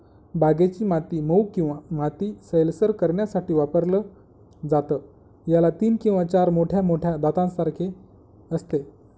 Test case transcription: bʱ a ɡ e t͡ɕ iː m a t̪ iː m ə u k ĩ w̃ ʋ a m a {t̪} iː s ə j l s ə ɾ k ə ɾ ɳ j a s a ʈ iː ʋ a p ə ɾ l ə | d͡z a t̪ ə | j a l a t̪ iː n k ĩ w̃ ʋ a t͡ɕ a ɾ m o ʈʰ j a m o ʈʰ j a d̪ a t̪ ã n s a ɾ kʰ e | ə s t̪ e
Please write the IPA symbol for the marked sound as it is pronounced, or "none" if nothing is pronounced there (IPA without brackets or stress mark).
t̪